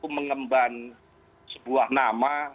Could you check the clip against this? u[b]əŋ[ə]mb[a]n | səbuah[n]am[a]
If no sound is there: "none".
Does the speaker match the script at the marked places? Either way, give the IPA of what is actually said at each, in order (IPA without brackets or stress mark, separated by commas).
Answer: m, ə, a, n, a